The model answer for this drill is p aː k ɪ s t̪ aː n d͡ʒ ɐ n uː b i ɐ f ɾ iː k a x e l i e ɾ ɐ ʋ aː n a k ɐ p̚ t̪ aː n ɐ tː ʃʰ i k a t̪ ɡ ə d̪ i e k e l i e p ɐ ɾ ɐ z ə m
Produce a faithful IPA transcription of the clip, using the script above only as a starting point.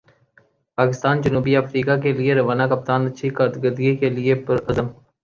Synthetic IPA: p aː k ɪ s t̪ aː n d͡ʒ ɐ n uː b i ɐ f ɾ iː k a k e l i e ɾ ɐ ʋ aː n a k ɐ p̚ t̪ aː n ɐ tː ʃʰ i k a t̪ ɡ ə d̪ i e k e l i e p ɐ ɾ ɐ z ə m